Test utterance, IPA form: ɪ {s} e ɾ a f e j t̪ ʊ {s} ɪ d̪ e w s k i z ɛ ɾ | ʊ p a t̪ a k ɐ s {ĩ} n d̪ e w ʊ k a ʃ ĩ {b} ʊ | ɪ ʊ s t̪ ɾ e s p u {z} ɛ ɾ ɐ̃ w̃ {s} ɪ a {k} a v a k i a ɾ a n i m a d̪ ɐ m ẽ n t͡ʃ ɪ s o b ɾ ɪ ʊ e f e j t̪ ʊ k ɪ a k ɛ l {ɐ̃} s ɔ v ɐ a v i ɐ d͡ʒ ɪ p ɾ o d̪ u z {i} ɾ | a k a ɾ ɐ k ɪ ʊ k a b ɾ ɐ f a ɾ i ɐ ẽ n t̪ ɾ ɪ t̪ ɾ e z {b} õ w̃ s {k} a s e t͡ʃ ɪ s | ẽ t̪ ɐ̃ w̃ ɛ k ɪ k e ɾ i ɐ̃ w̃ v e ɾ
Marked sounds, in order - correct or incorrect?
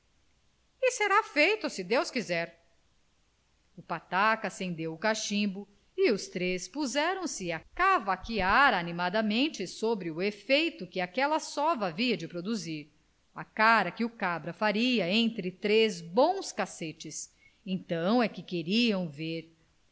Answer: correct, correct, incorrect: ẽ, correct, correct, correct, correct, incorrect: ɐ, correct, correct, correct

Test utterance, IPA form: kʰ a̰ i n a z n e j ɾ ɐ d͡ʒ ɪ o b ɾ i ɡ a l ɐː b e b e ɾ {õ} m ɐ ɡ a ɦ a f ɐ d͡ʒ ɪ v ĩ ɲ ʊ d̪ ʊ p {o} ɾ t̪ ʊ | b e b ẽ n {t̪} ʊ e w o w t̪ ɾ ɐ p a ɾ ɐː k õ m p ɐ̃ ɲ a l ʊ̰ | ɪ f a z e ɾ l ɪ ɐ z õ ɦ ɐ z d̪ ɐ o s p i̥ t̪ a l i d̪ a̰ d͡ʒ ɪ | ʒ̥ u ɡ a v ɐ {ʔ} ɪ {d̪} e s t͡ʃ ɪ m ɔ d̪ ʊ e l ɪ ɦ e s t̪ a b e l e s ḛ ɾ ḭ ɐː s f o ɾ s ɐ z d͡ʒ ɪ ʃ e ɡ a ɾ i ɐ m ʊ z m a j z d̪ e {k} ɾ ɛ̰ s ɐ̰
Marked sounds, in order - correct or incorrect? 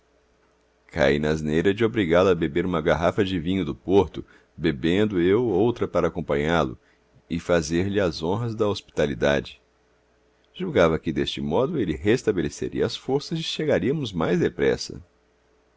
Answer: incorrect: ũ, correct, incorrect: d̪, incorrect: k, correct, incorrect: p

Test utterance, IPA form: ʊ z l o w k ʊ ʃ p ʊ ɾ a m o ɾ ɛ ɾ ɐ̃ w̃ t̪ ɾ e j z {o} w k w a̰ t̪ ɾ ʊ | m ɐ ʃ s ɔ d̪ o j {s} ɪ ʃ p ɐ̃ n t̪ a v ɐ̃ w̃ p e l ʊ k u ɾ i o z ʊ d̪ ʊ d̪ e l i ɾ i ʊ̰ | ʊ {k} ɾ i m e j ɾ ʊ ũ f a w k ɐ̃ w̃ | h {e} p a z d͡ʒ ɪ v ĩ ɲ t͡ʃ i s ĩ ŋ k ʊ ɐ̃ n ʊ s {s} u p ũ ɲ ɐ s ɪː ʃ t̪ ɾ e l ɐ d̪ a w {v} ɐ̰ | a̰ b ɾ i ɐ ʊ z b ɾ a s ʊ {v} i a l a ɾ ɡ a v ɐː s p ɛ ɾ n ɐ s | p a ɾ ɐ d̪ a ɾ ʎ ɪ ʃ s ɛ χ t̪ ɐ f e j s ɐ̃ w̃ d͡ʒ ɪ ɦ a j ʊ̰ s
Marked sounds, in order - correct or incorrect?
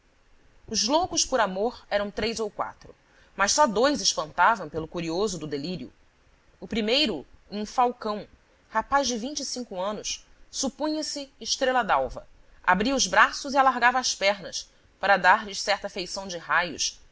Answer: correct, incorrect: z, incorrect: p, incorrect: a, correct, correct, incorrect: z

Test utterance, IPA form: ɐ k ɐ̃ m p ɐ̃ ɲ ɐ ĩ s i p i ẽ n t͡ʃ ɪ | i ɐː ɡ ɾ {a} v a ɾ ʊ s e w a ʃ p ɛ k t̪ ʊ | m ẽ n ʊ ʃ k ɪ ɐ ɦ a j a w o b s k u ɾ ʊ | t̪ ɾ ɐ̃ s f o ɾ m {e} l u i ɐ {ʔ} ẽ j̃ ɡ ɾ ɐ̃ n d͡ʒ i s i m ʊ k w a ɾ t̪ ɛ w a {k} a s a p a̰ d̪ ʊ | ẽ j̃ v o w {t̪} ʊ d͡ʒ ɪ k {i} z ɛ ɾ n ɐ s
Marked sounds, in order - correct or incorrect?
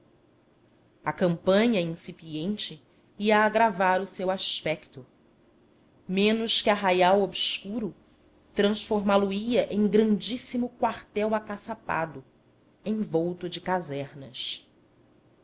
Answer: correct, incorrect: a, correct, correct, correct, incorrect: a

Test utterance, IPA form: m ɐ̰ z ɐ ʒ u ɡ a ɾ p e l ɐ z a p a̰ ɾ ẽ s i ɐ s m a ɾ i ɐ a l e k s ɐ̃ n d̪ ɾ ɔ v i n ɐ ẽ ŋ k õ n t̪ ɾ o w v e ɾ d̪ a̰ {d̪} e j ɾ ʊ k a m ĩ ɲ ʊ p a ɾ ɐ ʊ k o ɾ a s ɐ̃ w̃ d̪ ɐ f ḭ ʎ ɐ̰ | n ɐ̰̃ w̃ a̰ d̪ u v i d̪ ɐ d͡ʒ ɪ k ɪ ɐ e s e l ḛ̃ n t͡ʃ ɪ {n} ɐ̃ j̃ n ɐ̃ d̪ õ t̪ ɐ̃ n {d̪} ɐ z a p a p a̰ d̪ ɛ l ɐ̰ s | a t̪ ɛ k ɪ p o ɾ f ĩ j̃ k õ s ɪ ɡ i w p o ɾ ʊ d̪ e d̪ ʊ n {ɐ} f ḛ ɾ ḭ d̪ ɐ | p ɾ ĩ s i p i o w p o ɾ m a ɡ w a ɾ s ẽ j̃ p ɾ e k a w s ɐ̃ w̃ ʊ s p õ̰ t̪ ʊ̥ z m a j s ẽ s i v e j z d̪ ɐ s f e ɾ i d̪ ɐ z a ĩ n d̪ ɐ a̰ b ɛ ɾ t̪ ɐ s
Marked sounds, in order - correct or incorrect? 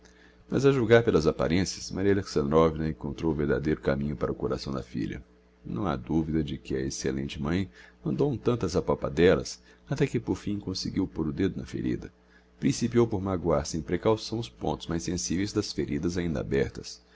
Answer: correct, incorrect: m, incorrect: t̪, correct

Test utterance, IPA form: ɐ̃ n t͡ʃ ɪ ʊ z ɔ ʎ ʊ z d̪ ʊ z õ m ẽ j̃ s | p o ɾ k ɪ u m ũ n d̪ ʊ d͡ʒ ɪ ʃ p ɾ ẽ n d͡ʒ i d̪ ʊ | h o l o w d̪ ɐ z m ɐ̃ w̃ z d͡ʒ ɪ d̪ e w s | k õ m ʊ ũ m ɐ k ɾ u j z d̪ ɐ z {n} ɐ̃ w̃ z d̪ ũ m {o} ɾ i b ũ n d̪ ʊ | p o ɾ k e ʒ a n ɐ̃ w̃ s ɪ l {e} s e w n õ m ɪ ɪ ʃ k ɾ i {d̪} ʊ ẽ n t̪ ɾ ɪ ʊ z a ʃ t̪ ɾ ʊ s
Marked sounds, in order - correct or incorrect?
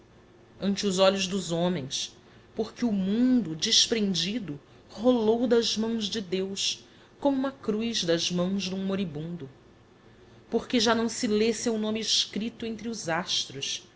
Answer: incorrect: m, correct, correct, incorrect: t̪

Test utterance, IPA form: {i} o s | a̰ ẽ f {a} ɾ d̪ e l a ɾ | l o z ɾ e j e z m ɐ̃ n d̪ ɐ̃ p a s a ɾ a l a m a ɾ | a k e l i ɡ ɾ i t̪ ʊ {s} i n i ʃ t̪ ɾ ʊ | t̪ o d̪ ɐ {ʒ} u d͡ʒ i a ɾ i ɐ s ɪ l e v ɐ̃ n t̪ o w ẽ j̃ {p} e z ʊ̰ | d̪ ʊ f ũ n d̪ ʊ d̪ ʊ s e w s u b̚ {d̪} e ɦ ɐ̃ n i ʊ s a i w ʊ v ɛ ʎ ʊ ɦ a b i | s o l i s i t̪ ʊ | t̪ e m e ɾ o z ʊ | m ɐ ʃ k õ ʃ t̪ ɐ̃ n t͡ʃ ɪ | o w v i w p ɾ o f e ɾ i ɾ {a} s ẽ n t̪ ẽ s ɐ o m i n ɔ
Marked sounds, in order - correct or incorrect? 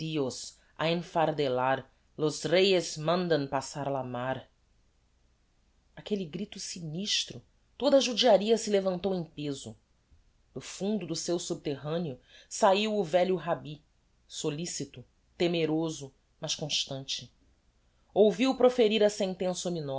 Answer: correct, correct, correct, correct, correct, incorrect: t̪, incorrect: ɐ

